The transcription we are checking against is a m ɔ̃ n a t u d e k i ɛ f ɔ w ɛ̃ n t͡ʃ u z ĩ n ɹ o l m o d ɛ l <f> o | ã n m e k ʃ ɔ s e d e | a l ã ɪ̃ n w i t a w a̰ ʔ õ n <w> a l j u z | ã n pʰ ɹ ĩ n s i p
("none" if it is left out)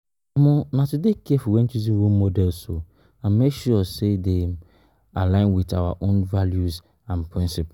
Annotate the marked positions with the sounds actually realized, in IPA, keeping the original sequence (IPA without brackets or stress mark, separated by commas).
s, v